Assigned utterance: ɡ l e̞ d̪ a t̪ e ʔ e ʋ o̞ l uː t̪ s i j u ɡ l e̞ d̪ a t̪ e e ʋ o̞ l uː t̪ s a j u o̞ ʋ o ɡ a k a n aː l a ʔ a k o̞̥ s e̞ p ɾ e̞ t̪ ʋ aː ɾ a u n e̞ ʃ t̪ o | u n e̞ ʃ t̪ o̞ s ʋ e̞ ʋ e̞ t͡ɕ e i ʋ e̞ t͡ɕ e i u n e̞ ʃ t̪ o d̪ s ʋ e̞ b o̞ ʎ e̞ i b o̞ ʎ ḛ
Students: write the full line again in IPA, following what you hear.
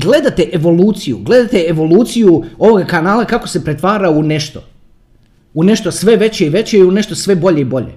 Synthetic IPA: ɡ l e̞ d̪ a t̪ e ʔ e ʋ o̞ l uː t̪ s i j u ɡ l e̞ d̪ a t̪ e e ʋ o̞ l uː t̪ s i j u o̞ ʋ o ɡ a k a n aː l a k a k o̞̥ s e̞ p ɾ e̞ t̪ ʋ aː ɾ a u n e̞ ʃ t̪ o | u n e̞ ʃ t̪ o̞ s ʋ e̞ ʋ e̞ t͡ɕ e i ʋ e̞ t͡ɕ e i u n e̞ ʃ t̪ o s ʋ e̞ b o̞ ʎ e̞ i b o̞ ʎ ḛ